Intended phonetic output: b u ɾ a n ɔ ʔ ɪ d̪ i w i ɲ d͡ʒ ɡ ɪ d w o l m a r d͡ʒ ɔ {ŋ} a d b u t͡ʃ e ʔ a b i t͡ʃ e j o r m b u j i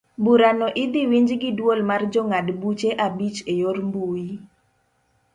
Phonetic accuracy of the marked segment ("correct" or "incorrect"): correct